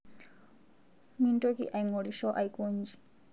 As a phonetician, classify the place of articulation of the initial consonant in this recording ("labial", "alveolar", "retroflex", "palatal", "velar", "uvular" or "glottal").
labial